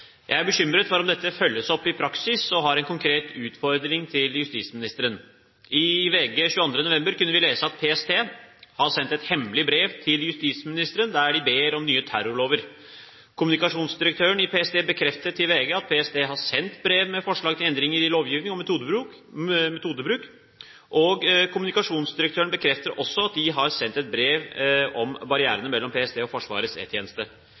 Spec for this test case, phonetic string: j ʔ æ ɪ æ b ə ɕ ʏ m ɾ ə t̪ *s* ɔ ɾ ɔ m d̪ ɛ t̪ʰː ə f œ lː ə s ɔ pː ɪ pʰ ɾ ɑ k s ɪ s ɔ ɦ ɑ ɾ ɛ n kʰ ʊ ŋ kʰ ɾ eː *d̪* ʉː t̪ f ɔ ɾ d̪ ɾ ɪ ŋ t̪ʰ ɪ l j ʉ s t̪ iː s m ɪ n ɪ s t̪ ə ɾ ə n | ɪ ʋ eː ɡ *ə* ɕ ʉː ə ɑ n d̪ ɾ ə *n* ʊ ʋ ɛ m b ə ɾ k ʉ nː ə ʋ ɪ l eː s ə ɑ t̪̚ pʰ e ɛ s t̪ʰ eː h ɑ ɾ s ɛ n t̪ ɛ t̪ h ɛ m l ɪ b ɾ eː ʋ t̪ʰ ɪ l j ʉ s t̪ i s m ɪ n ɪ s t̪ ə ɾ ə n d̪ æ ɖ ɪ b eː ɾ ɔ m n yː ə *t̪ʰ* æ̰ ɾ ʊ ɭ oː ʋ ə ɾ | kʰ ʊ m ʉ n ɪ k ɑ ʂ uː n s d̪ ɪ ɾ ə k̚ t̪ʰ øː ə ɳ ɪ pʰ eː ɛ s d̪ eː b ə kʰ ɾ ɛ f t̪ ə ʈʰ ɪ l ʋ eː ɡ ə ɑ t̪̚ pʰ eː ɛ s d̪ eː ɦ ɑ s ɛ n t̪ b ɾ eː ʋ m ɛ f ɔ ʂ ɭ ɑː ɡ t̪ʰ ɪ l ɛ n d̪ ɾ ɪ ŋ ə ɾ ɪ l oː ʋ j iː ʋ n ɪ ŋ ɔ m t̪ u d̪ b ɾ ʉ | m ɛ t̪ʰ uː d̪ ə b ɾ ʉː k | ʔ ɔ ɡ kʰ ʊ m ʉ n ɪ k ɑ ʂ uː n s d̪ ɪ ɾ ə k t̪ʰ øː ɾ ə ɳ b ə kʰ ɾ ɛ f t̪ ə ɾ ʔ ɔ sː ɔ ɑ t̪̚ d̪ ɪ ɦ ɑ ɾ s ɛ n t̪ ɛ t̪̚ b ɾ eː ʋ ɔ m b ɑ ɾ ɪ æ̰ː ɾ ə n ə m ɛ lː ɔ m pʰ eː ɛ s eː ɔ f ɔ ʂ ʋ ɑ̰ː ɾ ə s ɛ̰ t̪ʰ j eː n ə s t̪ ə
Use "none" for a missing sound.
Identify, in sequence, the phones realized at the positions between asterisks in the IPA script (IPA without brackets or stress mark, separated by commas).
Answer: f, t̪, ə, n, t̪ʰ